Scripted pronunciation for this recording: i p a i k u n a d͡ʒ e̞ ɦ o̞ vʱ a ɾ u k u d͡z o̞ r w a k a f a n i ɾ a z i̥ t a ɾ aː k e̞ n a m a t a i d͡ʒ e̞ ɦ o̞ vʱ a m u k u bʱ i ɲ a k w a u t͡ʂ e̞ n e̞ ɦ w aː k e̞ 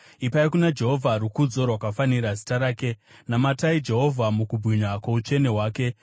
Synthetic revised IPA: i p a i k u n a d͡ʒ e̞ ɦ o̞ vʱ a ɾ u k u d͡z o̞ r w a k a f a n i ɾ a z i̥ t a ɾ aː k e̞ n a m a t a i d͡ʒ e̞ ɦ o̞ vʱ a m u k u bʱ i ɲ a k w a u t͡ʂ e̞ n e̞ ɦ w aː k e̞